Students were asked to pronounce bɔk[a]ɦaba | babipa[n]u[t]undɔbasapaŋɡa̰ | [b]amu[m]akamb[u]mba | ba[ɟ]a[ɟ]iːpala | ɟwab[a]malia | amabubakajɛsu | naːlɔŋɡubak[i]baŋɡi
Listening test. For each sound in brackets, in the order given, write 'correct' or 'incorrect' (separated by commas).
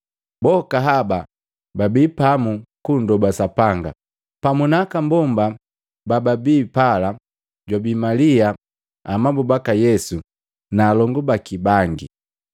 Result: correct, incorrect, incorrect, incorrect, incorrect, incorrect, incorrect, incorrect, incorrect, correct